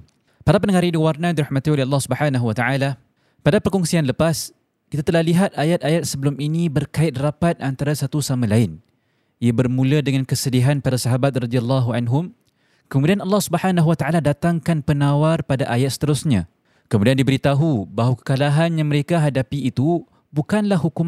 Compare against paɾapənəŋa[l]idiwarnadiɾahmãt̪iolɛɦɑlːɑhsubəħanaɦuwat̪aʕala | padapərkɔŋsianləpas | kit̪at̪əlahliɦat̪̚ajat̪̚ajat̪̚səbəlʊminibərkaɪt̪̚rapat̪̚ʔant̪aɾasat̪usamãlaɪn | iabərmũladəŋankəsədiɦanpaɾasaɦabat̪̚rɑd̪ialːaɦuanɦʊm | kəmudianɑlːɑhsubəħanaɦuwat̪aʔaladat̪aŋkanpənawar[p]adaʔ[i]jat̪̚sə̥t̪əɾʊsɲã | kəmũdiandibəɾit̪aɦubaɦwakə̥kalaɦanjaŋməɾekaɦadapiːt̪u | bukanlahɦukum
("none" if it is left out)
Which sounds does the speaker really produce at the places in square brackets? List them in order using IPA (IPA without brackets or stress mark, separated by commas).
ɾ, p, a